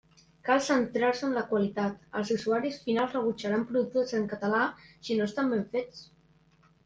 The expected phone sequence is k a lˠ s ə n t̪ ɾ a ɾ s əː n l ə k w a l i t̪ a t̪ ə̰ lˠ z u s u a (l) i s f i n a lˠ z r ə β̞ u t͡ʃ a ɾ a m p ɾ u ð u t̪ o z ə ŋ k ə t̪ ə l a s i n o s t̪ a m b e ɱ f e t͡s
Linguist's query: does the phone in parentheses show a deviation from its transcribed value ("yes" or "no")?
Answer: yes